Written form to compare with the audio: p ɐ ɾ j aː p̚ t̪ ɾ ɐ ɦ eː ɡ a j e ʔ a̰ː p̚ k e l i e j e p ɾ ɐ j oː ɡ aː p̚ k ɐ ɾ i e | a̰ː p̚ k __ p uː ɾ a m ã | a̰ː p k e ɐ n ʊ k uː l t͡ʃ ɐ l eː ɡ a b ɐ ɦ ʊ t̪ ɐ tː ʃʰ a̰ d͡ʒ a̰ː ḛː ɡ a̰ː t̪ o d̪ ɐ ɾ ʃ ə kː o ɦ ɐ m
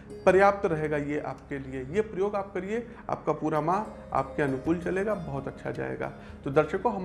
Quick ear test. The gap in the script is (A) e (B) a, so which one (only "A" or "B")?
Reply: B